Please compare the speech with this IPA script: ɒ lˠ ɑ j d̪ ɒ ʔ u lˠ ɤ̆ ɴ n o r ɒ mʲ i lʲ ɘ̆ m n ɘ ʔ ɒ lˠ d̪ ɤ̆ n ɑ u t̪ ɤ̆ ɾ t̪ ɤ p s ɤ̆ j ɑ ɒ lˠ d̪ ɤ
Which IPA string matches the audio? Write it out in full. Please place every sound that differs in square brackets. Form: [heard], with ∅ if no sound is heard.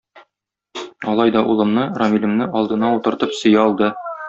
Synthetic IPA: ɒ lˠ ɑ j d̪ ɒ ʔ u lˠ ɤ̆ [m] n [ɤ] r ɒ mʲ i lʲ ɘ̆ m n ɘ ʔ ɒ lˠ d̪ ɤ̆ n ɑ u t̪ ɤ̆ ɾ t̪ ɤ p s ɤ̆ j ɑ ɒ lˠ d̪ ɤ